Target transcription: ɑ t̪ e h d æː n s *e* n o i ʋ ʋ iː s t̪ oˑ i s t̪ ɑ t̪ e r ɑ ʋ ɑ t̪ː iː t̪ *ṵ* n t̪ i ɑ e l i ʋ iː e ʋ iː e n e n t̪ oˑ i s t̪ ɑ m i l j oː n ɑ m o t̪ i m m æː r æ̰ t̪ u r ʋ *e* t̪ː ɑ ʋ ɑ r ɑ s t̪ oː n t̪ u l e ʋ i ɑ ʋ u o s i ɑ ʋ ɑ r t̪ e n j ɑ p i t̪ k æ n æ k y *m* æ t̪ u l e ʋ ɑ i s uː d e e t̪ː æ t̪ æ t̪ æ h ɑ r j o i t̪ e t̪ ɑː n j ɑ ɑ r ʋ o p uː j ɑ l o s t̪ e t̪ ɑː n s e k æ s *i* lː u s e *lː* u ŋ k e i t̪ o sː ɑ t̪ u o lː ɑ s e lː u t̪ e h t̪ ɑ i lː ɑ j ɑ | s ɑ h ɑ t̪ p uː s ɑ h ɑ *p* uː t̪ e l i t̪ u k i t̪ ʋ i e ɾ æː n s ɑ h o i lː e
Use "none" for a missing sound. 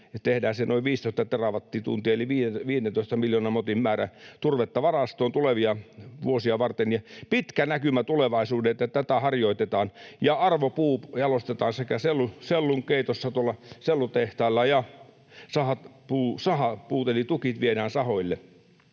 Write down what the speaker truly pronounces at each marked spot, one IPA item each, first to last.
e, ṵ, e, m, e, lː, p

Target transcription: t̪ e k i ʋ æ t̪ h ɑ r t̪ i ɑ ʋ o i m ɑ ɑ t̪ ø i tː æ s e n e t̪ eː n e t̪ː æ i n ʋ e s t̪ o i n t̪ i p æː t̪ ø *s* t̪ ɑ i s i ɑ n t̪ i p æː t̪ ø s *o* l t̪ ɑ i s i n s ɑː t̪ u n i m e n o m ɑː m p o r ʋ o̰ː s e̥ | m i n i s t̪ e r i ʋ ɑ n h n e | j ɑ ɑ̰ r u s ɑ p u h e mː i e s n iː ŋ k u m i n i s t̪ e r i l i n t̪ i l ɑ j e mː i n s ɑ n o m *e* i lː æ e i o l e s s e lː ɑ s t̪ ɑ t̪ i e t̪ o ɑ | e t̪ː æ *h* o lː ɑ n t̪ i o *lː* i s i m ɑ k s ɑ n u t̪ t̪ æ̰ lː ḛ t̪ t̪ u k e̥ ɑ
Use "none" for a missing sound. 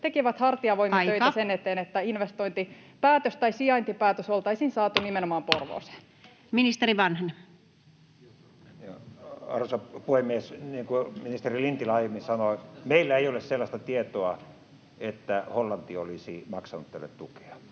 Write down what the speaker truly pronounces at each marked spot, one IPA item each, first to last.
s, o, e, h, l

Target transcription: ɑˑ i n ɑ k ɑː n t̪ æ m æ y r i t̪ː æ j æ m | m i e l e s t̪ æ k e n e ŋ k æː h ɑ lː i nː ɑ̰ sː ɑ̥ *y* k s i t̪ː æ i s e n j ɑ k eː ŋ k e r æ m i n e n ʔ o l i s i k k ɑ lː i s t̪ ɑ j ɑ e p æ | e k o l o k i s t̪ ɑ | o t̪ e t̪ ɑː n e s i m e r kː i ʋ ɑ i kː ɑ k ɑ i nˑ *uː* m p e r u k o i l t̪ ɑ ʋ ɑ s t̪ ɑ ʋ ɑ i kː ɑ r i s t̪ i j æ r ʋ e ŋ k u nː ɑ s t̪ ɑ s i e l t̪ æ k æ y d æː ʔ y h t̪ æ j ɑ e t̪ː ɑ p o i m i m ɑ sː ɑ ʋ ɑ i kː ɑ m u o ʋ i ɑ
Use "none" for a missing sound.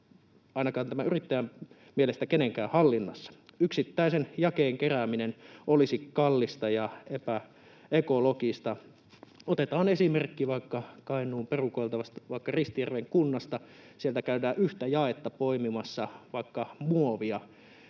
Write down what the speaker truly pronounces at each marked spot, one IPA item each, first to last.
y, uː

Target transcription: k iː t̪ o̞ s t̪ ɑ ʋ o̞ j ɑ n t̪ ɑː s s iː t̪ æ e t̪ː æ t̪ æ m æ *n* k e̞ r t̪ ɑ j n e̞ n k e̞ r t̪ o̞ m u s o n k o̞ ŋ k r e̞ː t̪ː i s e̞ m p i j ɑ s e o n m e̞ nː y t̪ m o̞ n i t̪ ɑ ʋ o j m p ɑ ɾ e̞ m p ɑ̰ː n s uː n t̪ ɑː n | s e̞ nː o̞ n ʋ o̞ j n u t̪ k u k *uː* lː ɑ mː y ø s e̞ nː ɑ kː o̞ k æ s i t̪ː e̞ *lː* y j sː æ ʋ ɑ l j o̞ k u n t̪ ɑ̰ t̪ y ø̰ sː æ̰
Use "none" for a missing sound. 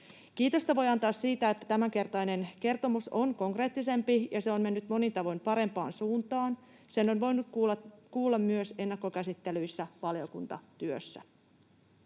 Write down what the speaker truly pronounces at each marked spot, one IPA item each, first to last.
ŋ, uː, l

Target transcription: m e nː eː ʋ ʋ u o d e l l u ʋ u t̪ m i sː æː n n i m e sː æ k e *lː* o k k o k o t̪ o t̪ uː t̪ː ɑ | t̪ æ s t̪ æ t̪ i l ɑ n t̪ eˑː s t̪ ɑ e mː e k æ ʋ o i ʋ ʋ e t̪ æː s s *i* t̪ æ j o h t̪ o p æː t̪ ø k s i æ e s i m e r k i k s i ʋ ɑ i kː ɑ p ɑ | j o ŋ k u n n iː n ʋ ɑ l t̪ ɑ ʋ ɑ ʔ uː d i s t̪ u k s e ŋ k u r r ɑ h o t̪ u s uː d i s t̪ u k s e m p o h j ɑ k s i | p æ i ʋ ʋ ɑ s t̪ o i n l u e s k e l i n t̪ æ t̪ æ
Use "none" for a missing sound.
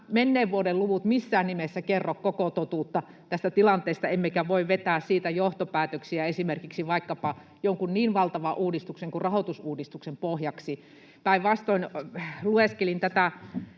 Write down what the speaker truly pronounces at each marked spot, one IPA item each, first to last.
rː, iː

